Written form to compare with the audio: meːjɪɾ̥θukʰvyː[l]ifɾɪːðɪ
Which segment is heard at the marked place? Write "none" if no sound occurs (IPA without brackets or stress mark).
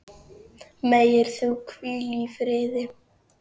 l